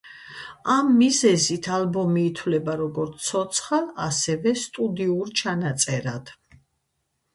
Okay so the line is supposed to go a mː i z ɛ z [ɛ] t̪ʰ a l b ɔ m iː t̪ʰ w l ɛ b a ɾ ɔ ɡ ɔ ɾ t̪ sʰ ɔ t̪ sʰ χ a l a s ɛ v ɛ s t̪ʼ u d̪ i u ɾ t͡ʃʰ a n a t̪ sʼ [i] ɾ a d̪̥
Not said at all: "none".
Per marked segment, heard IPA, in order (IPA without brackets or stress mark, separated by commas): i, ɛ